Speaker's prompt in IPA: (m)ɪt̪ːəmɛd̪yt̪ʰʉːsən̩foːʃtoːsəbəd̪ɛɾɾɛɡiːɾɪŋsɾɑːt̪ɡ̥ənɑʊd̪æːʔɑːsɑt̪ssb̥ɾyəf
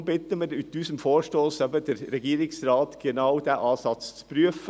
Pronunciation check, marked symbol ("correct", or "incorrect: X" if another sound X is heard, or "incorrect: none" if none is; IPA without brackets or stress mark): incorrect: b